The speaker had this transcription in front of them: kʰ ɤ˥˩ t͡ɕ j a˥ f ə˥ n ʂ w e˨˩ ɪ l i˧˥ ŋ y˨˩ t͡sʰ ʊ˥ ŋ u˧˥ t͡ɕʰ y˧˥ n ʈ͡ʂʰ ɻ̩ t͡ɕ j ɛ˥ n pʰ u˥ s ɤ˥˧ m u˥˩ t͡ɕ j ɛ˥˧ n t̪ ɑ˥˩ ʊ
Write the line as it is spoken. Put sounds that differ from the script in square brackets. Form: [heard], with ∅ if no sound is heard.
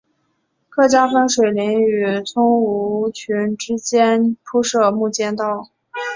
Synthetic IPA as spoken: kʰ ɤ˥˩ t͡ɕ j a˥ f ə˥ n ʂ w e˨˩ ɪ l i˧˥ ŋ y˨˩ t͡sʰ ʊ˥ ŋ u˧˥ t͡ɕʰ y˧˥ n [ʈ͡ʂ] ɻ̩ t͡ɕ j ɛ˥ n pʰ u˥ [ʂ] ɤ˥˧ m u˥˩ t͡ɕ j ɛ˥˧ n t̪ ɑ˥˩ ʊ